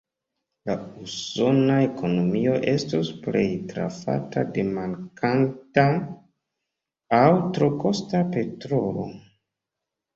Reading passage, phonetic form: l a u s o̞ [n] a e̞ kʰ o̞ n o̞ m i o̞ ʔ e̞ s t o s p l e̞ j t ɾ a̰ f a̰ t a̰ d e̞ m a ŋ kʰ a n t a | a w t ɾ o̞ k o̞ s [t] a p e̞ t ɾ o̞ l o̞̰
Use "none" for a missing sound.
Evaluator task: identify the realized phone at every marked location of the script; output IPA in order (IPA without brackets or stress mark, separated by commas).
n, t